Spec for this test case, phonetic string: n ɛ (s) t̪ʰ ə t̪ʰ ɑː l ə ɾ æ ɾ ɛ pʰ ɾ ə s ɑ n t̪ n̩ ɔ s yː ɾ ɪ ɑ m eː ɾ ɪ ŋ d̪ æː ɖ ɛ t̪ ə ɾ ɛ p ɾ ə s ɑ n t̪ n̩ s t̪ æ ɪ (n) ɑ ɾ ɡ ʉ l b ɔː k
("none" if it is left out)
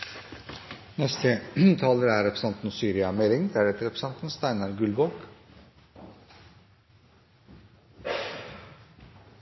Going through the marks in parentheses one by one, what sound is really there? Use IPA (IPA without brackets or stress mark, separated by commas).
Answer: s, n